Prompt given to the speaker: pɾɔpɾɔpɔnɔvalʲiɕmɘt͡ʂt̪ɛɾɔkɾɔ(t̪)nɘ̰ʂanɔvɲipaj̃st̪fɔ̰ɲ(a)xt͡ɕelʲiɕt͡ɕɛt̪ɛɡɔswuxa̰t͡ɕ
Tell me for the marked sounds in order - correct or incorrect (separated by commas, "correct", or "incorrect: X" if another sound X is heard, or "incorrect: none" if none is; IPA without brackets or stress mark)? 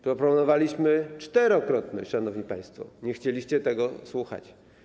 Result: correct, incorrect: ɛ